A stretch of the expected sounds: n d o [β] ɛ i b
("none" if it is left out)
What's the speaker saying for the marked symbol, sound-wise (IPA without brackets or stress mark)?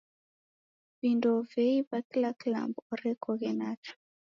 v